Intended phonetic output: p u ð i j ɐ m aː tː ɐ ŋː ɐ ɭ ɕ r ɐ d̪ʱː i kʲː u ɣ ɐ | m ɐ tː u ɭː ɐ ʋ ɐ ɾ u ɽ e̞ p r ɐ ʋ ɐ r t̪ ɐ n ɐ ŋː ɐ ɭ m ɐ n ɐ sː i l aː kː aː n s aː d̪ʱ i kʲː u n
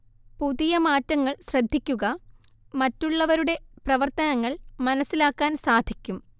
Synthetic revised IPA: p u ð i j ɐ m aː tː ɐ ŋː ɐ ɭ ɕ r ɐ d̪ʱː i kʲː u ɣ ɐ | m ɐ tː u ɭː ɐ ʋ ɐ ɾ u ɽ e̞ p r ɐ ʋ ɐ r t̪ ɐ n ɐ ŋː ɐ ɭ m ɐ n ɐ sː i l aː kː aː n s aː d̪ʱ i kʲː u m